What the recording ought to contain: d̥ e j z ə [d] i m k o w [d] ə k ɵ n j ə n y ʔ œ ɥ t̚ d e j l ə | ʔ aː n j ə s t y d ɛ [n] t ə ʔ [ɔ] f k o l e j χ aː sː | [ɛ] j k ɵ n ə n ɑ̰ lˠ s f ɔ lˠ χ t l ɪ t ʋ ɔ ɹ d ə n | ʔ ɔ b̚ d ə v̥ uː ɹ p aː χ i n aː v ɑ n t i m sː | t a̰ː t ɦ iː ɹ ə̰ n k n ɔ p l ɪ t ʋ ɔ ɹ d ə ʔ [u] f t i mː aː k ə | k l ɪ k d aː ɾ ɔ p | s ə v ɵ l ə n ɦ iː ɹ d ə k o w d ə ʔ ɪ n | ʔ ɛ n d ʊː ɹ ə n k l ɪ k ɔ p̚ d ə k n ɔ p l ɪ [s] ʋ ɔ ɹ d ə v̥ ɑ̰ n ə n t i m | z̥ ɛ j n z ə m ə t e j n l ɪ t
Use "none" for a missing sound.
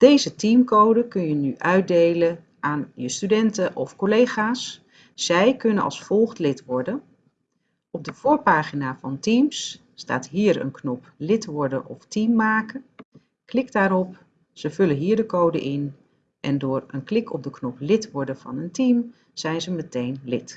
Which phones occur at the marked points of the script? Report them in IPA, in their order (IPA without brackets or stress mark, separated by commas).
t, d, n, ɔ, ɛ, ɔ, t